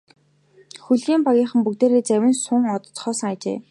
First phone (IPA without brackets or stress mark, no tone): x